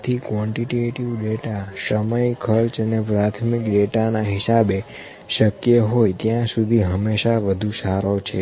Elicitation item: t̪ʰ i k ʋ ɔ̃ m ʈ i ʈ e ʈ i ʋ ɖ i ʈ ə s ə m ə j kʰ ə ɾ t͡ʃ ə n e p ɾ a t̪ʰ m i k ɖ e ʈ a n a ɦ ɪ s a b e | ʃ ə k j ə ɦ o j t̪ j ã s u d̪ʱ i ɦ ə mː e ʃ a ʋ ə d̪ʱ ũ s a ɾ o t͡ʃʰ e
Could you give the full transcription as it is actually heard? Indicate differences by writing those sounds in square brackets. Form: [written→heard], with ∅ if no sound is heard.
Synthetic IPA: t̪ʰ i k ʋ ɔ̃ [m→ɳ] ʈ i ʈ e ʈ i ʋ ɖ [i→e] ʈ [ə→a] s ə m ə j kʰ ə ɾ t͡ʃ ə n e p ɾ a t̪ʰ m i k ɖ e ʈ a n a ɦ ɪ s a b e | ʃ ə k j ə ɦ o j t̪ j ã s u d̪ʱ i ɦ ə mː e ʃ a ʋ ə d̪ʱ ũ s a ɾ o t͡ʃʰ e